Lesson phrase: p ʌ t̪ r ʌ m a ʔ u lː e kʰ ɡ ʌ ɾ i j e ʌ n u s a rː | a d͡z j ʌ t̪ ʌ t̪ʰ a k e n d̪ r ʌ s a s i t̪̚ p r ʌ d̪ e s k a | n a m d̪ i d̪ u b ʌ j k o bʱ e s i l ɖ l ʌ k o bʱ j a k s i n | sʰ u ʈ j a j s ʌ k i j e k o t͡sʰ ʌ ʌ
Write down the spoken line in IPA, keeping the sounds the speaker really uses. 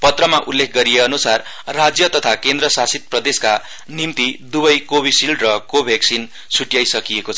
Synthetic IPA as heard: p ʌ t̪ r ʌ m a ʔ u lː e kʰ ɡ ʌ ɾ i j e ʌ n u s a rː | a d͡z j ʌ t̪ ʌ t̪ʰ a k e n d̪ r ʌ s a s i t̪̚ p r ʌ d̪ e s k a | n i m t̪ i d̪ u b ʌ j k o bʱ i s i l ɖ r ʌ k o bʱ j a k s i n | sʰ u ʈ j a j s ʌ k i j e k o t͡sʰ ʌ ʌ

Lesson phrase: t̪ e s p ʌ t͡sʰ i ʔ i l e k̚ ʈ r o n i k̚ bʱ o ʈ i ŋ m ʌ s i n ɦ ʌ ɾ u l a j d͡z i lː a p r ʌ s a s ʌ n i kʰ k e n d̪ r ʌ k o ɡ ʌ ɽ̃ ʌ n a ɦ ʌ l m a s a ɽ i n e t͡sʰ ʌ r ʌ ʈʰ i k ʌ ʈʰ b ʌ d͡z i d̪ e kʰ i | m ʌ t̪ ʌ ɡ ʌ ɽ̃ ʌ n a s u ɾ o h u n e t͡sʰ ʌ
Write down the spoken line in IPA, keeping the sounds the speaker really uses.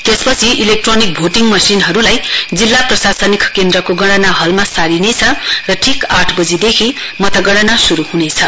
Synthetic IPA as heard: t̪ e s p ʌ t͡sʰ i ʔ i l e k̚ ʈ r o n i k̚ bʱ o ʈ i ŋ m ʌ s i n ɦ ʌ ɾ u l a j d͡z i lː a p r ʌ s a s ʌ n i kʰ k e n d̪ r ʌ k o ɡ ʌ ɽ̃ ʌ n a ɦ ʌ l m a s a ɾ i n e t͡sʰ ʌ r ʌ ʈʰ i k a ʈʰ b ʌ d͡z i d̪ e kʰ i | m ʌ t̪ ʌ ɡ ʌ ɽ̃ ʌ n a s u ɾ u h u n e t͡sʰ ʌ

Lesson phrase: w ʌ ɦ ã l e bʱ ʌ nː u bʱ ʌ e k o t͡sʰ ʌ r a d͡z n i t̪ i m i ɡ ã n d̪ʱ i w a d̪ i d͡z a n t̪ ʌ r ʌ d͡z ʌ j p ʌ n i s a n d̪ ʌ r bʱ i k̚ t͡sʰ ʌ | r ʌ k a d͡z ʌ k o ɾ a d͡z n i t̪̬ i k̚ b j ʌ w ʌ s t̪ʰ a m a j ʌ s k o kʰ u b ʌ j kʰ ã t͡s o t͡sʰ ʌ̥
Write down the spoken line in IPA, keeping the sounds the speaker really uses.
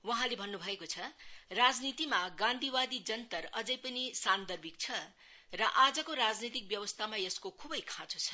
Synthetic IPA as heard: w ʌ ɦ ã l e bʱ ʌ nː u bʱ ʌ e k o t͡sʰ ʌ r a d͡z n i t̪ i m a ɡ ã n d̪ʱ i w a d̪ i d͡z ʌ n t̪ ʌ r ʌ d͡z ʌ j p ʌ n i s a n d̪ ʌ r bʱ i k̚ t͡sʰ ʌ | r ʌ ʔ a d͡z ʌ k o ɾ a d͡z n i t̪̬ i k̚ b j ʌ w ʌ s t̪ʰ a m a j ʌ s k o kʰ u b ʌ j kʰ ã t͡s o t͡sʰ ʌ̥

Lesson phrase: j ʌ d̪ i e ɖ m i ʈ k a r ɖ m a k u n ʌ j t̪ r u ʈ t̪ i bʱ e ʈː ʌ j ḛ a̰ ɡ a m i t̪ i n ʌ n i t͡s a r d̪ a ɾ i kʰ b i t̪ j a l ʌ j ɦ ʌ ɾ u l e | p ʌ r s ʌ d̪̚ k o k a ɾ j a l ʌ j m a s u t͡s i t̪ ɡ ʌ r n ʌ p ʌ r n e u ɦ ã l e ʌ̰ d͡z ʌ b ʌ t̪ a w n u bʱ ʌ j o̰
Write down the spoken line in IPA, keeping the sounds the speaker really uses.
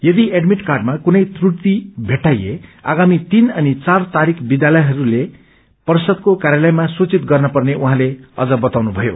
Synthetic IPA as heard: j ʌ d̪ i e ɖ m i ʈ k a r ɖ m a k u n ʌ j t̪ r u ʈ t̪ i bʱ e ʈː a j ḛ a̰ ɡ a m i t̪ i n ʌ n i t͡s a r t̪ a ɾ i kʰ b i d̪ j a l ʌ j ɦ ʌ ɾ u l e | p ʌ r s ʌ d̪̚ k o k a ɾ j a l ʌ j m a s u t͡s i t̪ ɡ ʌ r n ʌ p ʌ r n e u ɦ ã l e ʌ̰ d͡z ʌ b ʌ t̪ a w n u bʱ ʌ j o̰

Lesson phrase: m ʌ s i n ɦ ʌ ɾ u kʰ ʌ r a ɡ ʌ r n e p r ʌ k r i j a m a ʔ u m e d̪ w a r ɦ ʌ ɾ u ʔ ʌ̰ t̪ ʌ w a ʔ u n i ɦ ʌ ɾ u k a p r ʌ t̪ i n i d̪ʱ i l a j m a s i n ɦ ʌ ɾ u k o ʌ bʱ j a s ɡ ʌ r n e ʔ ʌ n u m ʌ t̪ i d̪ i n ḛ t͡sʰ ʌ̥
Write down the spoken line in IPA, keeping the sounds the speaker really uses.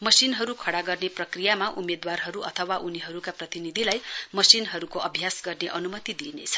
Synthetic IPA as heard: m ʌ s i n ɦ ʌ ɾ u kʰ ʌ ɽ a ɡ ʌ r n e p r ʌ k r i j a m a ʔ u m e d̪ w a r ɦ ʌ ɾ u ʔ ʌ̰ t̪ʰ ʌ w a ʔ u n i ɦ ʌ ɾ u k a p r ʌ t̪ i n i d̪ʱ i l a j m ʌ s i n ɦ ʌ ɾ u k o ʌ bʱ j a s ɡ ʌ r n e ʔ ʌ n u m ʌ t̪ i d̪ i n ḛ t͡sʰ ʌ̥

